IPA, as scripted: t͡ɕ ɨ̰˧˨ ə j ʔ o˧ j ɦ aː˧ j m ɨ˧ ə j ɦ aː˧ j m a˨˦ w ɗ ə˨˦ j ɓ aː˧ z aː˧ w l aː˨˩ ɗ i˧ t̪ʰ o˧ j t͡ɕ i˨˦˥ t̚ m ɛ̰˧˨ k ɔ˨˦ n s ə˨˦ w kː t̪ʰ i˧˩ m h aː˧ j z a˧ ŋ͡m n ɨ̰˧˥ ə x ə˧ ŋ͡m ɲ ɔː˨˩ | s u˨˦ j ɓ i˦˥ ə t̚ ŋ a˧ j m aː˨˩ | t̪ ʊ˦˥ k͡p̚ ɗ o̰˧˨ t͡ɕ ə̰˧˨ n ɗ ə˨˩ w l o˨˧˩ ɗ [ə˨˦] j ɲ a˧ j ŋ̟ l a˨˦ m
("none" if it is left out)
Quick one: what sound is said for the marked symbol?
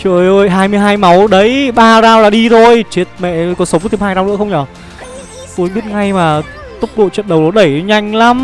ə˧˩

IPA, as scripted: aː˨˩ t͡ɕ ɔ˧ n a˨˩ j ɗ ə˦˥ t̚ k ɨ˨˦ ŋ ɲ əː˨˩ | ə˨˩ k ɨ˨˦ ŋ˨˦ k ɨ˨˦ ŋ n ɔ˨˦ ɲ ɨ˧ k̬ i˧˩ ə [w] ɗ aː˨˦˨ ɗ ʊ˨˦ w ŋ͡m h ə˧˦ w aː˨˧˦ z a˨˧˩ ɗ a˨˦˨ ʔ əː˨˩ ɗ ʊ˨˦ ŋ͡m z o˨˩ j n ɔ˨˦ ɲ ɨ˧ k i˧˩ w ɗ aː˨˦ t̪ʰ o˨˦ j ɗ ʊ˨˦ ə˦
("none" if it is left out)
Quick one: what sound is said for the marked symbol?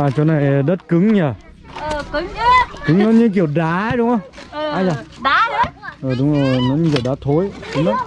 w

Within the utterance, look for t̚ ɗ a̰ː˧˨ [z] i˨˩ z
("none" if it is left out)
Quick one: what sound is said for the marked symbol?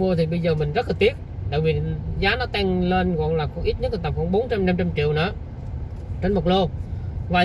v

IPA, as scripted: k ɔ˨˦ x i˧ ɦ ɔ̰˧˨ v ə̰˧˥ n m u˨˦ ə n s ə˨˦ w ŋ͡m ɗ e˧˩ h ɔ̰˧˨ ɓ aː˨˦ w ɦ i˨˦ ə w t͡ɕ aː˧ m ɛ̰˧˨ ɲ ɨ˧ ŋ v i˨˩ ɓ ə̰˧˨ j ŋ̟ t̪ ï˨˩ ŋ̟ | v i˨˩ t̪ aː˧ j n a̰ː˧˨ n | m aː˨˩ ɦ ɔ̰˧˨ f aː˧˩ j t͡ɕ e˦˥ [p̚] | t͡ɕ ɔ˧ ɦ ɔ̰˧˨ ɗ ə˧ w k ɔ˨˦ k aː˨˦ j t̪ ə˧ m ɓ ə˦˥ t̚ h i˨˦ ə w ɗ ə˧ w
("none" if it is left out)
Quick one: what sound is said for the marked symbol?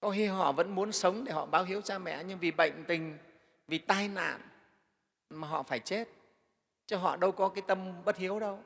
t̚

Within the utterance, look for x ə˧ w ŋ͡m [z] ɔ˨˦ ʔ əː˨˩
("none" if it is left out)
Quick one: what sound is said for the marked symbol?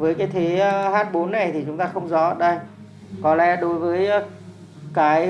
z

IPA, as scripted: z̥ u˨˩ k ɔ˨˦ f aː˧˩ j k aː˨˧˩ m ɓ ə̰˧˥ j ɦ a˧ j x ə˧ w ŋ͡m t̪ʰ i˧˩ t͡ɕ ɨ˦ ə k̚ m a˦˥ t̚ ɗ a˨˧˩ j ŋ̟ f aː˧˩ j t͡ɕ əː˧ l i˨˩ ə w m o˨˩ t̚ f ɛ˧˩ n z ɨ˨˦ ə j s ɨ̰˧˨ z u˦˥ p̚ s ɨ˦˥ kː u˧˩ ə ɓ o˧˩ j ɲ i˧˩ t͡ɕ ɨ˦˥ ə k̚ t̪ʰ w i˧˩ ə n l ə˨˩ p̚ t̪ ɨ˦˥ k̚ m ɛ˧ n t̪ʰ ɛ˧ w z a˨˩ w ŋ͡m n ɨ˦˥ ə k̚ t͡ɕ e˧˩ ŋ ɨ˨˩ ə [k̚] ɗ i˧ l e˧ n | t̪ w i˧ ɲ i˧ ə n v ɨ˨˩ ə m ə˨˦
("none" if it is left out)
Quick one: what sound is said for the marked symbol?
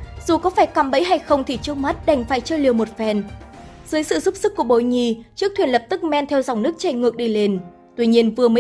k̚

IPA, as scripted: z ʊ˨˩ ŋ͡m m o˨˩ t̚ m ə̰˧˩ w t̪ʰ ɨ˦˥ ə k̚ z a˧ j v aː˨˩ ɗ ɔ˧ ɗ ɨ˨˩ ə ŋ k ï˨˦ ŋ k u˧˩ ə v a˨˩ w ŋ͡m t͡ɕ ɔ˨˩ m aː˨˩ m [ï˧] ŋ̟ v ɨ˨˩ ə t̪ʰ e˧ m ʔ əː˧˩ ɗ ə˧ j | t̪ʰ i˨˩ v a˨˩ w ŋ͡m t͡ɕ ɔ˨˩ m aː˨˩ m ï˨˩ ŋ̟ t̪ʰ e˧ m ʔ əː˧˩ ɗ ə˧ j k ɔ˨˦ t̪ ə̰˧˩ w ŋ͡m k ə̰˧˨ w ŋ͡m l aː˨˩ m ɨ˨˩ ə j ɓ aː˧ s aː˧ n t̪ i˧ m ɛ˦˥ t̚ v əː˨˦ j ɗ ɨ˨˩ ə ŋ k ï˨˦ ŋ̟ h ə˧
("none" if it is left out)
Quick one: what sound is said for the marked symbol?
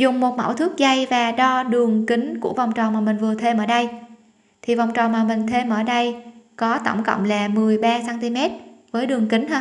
ï˨˩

